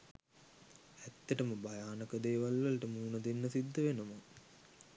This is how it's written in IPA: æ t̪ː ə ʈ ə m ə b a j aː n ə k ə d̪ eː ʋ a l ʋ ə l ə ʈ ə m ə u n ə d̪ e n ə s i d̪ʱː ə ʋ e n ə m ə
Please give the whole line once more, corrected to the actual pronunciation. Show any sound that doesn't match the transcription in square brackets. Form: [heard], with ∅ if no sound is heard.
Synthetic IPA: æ t̪ː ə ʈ ə m ə b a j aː n ə k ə d̪ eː ʋ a l ʋ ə l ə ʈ ə m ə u n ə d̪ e [nː] ə s i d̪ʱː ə ʋ e n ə m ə

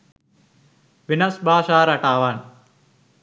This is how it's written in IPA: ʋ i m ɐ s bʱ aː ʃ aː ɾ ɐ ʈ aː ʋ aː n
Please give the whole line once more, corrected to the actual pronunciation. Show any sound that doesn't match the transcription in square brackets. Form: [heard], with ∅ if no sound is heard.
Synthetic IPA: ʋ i [n] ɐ s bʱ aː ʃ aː ɾ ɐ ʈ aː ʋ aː n

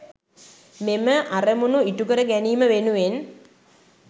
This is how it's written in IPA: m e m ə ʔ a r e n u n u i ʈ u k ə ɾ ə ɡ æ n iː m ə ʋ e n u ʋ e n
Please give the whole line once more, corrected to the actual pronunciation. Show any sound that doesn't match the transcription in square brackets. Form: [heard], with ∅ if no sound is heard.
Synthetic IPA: m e m ə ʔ a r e [m] u n u i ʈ u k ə ɾ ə ɡ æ n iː m ə ʋ e n u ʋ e n

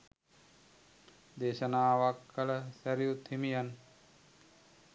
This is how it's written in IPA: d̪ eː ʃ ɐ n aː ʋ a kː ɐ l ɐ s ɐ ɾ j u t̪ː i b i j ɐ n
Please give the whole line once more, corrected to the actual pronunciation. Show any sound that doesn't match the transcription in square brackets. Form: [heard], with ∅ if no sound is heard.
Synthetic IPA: d̪ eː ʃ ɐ n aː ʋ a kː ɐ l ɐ s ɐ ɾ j u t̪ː i [m] i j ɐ n

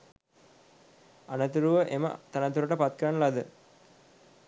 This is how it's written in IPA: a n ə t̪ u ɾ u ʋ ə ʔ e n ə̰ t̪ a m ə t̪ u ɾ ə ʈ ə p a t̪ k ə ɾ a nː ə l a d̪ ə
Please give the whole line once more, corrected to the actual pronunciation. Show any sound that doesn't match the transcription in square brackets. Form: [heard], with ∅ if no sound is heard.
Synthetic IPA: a n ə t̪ u ɾ u ʋ ə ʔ e [m] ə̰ t̪ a [n] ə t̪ u ɾ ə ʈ ə p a t̪ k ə ɾ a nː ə l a d̪ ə

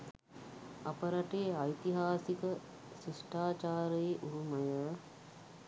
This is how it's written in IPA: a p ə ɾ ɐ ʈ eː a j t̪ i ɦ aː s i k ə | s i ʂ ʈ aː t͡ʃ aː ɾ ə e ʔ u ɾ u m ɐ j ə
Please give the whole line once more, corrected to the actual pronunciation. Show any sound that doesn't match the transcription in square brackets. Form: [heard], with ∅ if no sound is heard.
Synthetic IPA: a p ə ɾ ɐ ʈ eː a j t̪ i ɦ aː s i k ə | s i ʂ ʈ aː t͡ʃ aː ɾ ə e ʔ u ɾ u m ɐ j ə

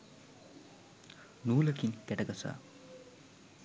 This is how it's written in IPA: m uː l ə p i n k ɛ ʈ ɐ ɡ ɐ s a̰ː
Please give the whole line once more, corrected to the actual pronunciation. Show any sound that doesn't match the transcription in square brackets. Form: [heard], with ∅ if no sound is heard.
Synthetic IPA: [n] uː l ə [k] i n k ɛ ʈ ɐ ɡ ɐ s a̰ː

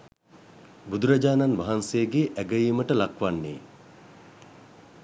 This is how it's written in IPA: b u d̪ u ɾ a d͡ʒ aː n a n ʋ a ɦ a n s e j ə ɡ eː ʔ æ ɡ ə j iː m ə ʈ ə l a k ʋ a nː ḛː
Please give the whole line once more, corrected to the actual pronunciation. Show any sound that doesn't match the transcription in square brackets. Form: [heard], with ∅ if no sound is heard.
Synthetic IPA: b u d̪ u ɾ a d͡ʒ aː n a n ʋ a ɦ a n s e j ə ɡ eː ʔ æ ɡ ə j iː m ə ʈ ə l a k ʋ a nː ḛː

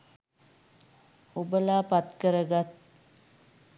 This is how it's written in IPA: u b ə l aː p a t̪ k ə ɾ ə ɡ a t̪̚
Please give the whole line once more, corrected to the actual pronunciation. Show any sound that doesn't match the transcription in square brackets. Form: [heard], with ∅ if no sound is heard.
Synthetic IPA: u b ə l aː p a t̪ k ə ɾ ə ɡ a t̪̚

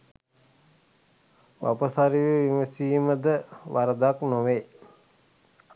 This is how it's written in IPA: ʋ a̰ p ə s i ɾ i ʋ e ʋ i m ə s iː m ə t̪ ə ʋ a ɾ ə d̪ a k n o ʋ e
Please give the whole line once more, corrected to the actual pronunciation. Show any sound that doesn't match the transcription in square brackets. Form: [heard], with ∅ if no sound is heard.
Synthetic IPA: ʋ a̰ p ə s [a] ɾ i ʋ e ʋ i m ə s iː m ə [d̪] ə ʋ a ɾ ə d̪ a k n o ʋ e

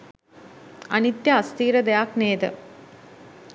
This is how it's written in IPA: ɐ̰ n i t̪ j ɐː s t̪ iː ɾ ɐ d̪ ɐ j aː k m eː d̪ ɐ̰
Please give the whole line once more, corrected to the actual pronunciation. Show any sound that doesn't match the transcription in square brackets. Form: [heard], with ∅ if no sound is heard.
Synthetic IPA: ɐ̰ n i t̪ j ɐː s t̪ iː ɾ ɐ d̪ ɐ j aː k [n] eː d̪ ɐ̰

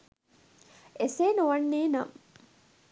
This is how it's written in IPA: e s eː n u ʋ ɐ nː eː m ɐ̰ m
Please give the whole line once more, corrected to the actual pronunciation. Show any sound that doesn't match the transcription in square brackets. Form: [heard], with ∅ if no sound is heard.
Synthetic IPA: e s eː n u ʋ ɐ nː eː [n] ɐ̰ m

